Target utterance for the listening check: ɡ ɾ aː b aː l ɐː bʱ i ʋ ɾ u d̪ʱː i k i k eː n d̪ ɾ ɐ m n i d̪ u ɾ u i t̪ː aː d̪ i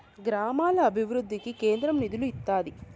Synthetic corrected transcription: ɡ ɾ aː m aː l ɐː bʱ i ʋ ɾ u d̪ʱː i k i k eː n d̪ ɾ ɐ m n i d̪ u l u i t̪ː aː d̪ i